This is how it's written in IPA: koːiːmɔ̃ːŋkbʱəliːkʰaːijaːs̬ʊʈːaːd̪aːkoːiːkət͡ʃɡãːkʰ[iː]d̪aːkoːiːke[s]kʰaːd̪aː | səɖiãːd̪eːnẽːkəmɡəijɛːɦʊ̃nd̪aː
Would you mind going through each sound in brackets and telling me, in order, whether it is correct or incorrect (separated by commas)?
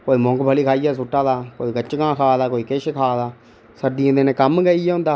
incorrect, incorrect